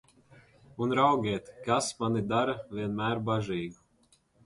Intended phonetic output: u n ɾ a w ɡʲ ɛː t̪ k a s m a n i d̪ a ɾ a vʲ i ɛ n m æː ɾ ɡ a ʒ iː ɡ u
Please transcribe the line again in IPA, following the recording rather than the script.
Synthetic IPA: u n ɾ a w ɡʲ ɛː t̪ k a s m a n i d̪ a ɾ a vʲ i ɛ n m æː ɾ b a ʒ iː ɡ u

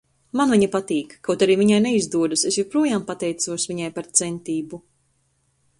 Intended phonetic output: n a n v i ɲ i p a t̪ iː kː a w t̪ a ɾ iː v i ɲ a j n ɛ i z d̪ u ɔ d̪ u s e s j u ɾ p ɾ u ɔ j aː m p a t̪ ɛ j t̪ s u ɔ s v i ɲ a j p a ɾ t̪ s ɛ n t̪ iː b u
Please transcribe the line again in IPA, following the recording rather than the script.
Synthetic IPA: m a n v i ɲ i p a t̪ iː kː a w t̪ a ɾ iː v i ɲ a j n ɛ i z d̪ u ɔ d̪ u s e s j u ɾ p ɾ u ɔ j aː m p a t̪ ɛ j t̪ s u ɔ s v i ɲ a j p a ɾ t̪ s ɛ n t̪ iː b u

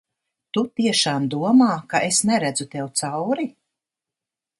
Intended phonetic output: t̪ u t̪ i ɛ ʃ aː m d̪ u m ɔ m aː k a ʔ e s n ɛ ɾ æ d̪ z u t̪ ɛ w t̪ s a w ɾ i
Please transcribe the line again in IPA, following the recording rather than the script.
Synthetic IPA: t̪ u t̪ i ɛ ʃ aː m d̪ u ɔ m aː k a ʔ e s n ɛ ɾ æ d̪ z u t̪ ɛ w t̪ s a w ɾ i

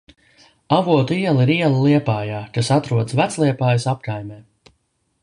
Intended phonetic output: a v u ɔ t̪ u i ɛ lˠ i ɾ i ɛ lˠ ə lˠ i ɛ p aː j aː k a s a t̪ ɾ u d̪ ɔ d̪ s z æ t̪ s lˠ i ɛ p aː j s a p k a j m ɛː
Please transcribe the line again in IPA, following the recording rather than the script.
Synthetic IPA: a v u ɔ t̪ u i ɛ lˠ i ɾ i ɛ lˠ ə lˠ i ɛ p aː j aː k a s a t̪ ɾ u ɔ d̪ s v æ t̪ s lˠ i ɛ p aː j s a p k a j m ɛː

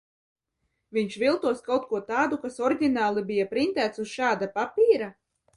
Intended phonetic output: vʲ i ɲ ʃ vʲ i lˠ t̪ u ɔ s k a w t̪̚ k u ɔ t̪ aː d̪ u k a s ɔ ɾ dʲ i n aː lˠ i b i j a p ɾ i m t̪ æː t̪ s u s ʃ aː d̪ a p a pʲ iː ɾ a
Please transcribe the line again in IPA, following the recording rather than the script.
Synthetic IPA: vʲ i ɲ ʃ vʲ i lˠ t̪ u ɔ s k a w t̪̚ k u ɔ t̪ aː d̪ u k a s ɔ ɾ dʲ i n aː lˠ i b i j a p ɾ i n t̪ æː t̪ s u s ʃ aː d̪ a p a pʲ iː ɾ a

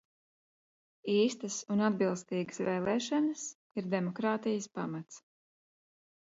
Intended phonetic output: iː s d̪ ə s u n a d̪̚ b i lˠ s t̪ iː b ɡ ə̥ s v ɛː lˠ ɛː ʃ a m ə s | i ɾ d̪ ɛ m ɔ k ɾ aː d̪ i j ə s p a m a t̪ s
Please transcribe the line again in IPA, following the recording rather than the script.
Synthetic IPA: iː s t̪ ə s u n a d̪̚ b i lˠ s t̪ iː ɡ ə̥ s v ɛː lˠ ɛː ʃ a n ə s | i ɾ d̪ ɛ m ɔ k ɾ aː t̪ i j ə s p a m a t̪ s

